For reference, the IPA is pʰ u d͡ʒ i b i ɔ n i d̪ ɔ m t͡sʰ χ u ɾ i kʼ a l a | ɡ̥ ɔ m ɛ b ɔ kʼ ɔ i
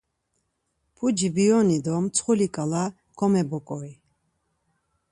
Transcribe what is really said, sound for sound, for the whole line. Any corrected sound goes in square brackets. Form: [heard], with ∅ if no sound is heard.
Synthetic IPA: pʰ u d͡ʒ i b i ɔ n i d̪ ɔ m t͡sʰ χ u [l] i kʼ a l a | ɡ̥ ɔ m ɛ b ɔ kʼ ɔ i